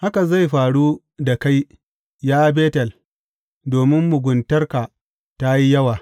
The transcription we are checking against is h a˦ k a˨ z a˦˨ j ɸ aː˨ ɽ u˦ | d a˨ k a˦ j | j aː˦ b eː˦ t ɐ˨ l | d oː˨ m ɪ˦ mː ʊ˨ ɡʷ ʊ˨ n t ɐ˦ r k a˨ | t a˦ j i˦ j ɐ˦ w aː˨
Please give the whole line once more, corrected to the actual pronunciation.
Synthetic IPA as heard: h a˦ k a˨ z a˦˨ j ɸ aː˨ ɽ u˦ | d a˨ k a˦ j | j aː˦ b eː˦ t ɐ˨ l | d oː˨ m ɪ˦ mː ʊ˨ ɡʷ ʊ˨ n t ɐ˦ r k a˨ | t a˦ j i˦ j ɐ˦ w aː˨